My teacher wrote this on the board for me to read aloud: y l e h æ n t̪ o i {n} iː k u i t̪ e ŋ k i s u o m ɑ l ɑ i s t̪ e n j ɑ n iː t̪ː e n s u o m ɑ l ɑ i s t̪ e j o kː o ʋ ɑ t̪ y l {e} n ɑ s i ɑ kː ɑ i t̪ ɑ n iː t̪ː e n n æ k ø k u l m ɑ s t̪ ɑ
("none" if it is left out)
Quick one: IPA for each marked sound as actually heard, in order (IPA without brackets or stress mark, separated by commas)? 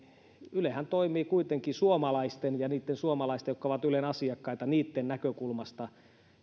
m, e